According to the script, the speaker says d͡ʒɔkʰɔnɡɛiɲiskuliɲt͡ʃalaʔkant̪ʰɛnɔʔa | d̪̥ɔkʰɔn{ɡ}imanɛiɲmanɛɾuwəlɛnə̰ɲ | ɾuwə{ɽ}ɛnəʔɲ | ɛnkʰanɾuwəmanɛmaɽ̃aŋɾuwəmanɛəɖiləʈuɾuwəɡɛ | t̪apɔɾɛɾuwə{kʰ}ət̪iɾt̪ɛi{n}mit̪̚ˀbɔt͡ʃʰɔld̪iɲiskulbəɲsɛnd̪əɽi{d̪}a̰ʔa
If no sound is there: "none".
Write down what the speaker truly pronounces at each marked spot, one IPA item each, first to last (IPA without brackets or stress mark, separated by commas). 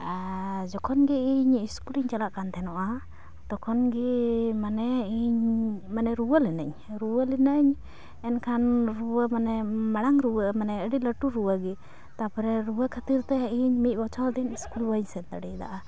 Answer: ɡ, l, kʰ, ɲ, d̪